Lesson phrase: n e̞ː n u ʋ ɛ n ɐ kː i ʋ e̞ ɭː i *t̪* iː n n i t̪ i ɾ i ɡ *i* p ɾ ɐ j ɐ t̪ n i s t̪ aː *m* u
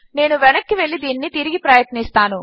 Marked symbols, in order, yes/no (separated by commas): no, yes, no